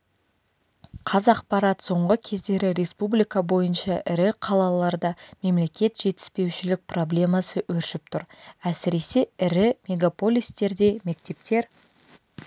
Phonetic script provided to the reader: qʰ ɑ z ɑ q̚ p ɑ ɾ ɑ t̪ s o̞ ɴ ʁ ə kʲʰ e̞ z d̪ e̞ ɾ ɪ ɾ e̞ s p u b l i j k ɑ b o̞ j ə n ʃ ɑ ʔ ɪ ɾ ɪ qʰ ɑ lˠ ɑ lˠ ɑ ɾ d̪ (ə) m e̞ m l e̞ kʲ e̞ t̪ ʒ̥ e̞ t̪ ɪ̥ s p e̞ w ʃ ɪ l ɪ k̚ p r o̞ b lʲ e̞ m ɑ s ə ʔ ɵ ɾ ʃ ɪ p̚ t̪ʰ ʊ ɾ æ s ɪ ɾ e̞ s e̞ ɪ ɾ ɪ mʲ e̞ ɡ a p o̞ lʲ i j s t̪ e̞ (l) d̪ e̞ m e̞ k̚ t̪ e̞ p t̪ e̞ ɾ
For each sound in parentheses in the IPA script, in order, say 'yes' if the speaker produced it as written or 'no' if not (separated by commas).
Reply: no, no